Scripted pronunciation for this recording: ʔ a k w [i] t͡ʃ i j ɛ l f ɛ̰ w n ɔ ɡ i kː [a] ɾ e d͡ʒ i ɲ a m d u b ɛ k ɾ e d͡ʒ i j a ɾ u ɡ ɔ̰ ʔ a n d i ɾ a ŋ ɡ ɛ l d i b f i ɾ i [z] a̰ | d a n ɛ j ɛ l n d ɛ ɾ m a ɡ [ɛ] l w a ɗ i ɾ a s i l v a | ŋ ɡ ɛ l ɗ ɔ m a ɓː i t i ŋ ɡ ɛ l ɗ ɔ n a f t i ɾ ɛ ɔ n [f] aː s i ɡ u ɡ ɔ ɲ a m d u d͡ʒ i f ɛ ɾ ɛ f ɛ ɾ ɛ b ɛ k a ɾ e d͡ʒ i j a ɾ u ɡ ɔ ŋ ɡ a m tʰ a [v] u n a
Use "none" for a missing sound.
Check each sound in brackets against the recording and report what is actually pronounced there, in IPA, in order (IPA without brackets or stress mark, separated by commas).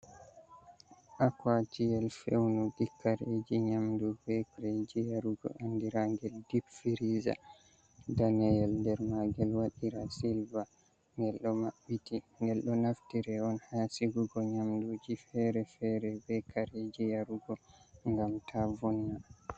a, a, z, ɛ, h, v